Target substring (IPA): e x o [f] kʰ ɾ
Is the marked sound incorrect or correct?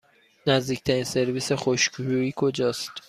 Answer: incorrect